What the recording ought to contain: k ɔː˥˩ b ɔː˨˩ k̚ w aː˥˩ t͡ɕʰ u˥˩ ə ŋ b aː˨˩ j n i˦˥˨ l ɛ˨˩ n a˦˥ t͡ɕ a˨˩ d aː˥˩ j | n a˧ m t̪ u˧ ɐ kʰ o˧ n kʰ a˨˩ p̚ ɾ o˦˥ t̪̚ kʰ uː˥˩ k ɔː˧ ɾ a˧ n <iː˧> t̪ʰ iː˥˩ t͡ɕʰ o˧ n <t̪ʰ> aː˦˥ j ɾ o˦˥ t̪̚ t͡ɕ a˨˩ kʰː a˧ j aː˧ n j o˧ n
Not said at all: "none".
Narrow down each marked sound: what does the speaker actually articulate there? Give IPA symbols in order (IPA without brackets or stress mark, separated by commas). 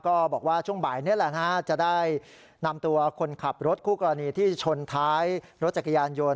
iː˧, t̪ʰ